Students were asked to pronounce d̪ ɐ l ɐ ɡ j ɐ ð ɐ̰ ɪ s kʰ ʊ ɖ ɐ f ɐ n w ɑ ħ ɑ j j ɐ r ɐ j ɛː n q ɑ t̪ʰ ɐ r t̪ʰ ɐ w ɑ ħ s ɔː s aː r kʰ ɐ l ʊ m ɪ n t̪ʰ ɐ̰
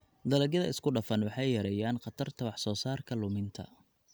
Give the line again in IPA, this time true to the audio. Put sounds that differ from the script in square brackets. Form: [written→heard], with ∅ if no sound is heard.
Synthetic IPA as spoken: d̪ ɐ l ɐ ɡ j ɐ ð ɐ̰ ɪ s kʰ ʊ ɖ ɐ f ɐ n w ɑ ħ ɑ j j ɐ [r→ɾ] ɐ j [ɛː→aː] n q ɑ t̪ʰ ɐ r t̪ʰ ɐ w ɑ ħ s ɔː s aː r kʰ ɐ l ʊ m ɪ n t̪ʰ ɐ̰